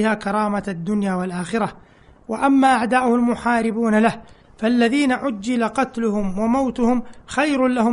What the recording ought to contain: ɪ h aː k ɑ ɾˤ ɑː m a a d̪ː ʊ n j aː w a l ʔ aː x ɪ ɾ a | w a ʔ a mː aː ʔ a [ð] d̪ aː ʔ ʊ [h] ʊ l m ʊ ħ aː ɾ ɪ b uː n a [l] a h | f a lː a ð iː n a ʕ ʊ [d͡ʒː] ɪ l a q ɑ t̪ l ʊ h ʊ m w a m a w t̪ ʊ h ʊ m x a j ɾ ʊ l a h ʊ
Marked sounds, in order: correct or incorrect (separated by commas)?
incorrect, correct, correct, correct